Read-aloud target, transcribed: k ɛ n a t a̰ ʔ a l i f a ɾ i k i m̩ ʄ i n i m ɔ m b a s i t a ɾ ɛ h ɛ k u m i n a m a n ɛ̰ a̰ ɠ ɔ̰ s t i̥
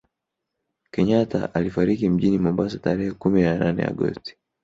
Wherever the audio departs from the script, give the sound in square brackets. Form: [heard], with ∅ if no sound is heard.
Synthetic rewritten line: k ɛ [ɲ] a t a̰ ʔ a l i f a ɾ i k i m̩ ʄ i n i m ɔ m b a s [a] t a ɾ ɛ h ɛ k u m i n a [n] a n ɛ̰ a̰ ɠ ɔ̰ s t i̥